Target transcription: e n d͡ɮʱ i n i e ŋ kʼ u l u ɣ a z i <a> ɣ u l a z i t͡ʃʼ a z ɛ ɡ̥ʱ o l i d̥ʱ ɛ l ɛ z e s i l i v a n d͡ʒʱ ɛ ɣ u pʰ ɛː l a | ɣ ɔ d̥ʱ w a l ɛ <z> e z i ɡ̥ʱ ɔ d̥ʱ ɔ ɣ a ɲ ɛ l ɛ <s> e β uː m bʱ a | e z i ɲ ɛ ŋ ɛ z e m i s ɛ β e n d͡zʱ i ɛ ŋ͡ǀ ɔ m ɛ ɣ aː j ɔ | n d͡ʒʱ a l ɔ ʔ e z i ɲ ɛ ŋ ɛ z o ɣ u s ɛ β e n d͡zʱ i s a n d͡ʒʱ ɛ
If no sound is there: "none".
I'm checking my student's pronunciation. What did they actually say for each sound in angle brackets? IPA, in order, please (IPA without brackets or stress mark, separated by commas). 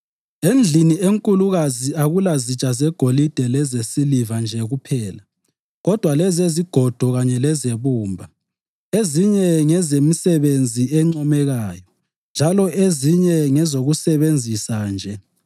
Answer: a, z, z